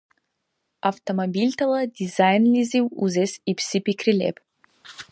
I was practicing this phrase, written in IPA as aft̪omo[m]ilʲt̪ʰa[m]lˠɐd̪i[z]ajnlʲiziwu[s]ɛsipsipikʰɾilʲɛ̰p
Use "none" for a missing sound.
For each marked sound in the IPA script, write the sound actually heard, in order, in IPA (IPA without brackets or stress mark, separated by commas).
b, none, z, z